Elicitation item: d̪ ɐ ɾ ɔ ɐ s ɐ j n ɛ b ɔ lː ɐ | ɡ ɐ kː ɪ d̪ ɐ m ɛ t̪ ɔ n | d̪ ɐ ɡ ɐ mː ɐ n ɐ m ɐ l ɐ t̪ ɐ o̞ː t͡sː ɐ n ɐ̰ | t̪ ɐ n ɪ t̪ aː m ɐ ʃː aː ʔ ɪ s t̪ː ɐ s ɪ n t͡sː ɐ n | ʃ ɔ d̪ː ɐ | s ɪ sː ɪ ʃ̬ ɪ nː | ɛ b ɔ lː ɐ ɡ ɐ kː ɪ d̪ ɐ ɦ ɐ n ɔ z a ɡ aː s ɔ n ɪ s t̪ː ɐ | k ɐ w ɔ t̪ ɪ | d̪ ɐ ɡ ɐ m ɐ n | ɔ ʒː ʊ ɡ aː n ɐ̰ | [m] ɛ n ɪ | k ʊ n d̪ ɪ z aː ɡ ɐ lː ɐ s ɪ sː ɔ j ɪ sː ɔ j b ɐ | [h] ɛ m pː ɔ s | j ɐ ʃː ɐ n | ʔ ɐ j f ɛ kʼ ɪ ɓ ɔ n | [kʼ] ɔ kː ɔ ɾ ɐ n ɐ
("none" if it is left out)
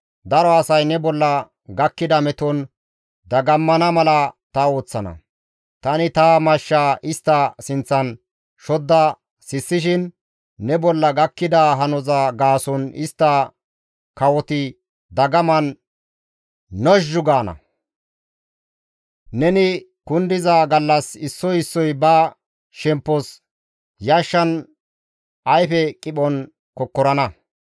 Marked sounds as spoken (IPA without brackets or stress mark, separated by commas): n, ʃ, k